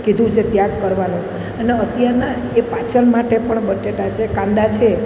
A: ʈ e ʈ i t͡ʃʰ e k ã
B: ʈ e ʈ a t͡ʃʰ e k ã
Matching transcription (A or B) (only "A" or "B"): B